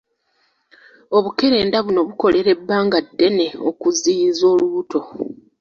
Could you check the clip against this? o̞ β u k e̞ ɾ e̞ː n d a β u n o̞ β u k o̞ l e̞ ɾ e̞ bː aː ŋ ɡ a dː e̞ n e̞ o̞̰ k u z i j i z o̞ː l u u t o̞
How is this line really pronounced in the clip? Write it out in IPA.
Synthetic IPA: o̞ β u k e̞ ɾ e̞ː n d a β u n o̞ β u k o̞ l e̞ ɾ e̞ bː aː ŋ ɡ a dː e̞ n e̞ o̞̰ k u z i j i z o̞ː l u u t o̞